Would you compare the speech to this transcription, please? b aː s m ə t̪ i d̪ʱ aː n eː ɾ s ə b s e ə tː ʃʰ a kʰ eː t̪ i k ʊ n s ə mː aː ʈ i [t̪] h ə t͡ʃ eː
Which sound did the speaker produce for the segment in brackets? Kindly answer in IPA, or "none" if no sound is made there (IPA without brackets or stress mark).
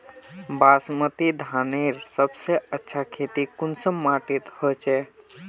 t̪